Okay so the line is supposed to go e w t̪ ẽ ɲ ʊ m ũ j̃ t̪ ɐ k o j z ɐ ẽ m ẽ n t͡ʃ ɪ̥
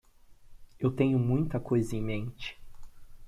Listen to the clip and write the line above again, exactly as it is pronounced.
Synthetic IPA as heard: e w t̪ ẽ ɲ ʊ m ũ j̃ t̪ ɐ k o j z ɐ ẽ m ẽ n t͡ʃ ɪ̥